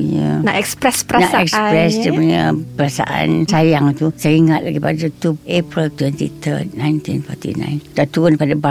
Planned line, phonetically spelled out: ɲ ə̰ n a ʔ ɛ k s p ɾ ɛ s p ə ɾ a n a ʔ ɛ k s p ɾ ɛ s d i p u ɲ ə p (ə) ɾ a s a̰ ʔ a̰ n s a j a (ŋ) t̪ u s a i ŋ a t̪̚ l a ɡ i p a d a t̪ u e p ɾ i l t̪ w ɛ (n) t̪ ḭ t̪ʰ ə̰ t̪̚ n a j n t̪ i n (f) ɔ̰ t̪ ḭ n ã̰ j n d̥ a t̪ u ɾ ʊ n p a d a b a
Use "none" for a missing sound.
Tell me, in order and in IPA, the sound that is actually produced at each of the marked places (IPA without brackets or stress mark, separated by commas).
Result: ə, ŋ, n, f